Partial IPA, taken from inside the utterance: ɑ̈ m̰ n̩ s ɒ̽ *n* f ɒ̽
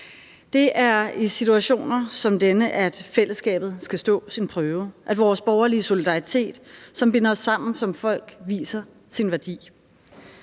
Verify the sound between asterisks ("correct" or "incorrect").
incorrect